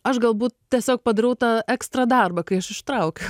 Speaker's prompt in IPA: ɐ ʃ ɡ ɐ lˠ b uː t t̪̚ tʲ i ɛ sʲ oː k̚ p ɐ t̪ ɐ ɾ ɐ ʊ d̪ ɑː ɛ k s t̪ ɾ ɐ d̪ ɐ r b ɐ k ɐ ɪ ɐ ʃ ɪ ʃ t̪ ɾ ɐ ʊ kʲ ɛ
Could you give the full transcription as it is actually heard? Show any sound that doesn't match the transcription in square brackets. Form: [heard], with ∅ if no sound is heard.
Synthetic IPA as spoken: ɐ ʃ ɡ ɐ lˠ b uː t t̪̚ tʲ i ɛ sʲ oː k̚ p ɐ [d̪] ɐ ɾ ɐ ʊ [t̪] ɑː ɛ k s t̪ ɾ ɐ d̪ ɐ r b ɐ k ɐ ɪ ɐ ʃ ɪ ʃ t̪ ɾ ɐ ʊ kʲ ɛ